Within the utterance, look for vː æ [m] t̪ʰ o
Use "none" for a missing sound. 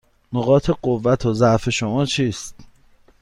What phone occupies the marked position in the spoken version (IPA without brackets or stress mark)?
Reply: none